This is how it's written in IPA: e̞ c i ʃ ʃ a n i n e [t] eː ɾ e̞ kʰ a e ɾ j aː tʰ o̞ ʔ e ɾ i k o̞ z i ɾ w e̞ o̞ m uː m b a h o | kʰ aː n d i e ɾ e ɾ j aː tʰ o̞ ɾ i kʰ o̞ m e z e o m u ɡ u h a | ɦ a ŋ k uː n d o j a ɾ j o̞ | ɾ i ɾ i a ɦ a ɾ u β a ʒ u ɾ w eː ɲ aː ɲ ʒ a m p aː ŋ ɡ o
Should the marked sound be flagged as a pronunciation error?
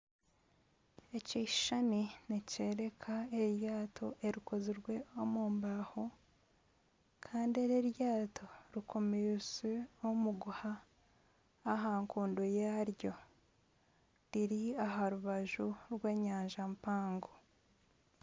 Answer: yes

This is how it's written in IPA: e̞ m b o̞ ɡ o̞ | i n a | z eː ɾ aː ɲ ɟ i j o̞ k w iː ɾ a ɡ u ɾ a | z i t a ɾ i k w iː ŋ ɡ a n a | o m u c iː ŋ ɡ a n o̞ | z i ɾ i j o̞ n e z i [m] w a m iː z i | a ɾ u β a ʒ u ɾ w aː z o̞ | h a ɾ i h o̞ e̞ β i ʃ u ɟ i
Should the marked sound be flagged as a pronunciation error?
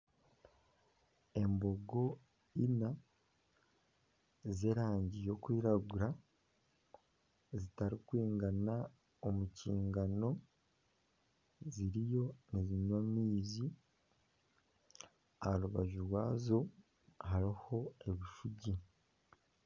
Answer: yes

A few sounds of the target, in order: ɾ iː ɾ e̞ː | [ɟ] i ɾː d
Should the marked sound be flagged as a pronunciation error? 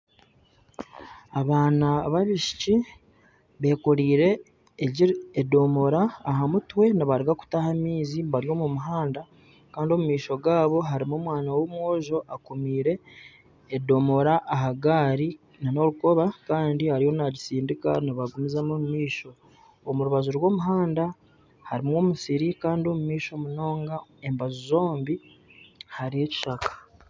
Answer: no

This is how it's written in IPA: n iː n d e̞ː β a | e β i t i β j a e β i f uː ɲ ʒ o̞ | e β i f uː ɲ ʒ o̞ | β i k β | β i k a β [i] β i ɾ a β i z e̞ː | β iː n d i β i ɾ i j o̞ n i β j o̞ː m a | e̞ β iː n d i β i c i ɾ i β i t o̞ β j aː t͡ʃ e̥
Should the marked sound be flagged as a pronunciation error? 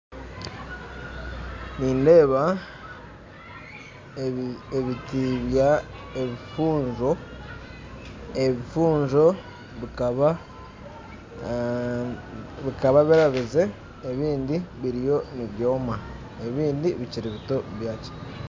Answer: yes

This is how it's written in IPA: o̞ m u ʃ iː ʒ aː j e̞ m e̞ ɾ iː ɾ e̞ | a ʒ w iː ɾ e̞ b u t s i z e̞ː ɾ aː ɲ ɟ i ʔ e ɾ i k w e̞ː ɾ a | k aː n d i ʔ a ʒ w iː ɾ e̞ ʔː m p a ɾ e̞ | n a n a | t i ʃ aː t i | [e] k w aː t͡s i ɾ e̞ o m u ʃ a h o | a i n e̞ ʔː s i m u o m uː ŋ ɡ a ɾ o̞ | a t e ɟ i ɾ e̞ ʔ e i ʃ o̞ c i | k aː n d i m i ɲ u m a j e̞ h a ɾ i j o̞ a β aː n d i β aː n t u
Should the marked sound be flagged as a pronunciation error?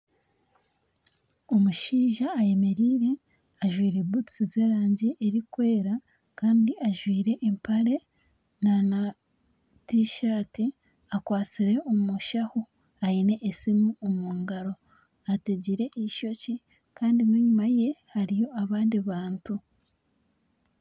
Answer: yes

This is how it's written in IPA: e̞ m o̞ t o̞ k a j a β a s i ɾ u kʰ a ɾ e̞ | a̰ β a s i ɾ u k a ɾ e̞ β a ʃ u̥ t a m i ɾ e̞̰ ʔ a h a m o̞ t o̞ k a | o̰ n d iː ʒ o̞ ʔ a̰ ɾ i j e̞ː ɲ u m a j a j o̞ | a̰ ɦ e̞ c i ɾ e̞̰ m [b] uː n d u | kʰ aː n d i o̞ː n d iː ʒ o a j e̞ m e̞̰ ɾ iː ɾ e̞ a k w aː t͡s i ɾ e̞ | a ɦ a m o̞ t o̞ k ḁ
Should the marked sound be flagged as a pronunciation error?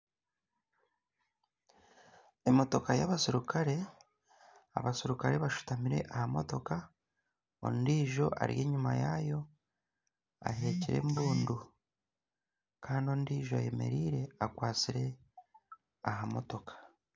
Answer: no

